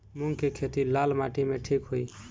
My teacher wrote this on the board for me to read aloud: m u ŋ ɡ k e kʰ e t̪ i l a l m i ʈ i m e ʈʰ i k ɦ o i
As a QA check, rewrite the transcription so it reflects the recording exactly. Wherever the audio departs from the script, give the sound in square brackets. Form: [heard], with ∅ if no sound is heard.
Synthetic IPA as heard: m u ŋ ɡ k e kʰ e t̪ i l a l m [a] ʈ i m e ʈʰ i k ɦ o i